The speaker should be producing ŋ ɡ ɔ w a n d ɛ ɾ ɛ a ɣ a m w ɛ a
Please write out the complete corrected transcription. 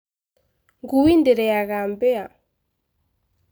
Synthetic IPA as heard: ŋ ɡ u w i n d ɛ ɾ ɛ a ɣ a m b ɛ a